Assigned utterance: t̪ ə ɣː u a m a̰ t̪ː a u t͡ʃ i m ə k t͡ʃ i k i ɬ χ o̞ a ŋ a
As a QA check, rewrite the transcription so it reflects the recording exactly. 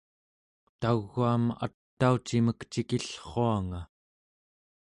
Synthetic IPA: t̪ a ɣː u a m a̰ t̪ː a u t͡ʃ i m ə k t͡ʃ i k i ɬ χ o̞ a ŋ a